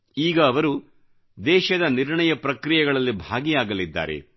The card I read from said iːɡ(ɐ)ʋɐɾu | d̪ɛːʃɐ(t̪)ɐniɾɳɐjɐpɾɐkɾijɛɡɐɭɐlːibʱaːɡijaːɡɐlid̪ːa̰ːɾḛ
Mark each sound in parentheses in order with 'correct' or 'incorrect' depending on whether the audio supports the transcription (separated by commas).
incorrect, incorrect